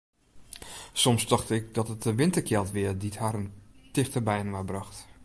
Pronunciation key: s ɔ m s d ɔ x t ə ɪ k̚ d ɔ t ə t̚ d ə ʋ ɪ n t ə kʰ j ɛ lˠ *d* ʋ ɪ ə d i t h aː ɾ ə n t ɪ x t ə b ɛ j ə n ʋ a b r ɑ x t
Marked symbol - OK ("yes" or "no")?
no